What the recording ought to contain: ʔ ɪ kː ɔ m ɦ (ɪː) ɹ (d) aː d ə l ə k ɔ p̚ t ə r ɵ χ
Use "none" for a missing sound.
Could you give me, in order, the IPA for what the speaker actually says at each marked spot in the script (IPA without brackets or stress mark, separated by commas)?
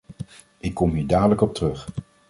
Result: iː, d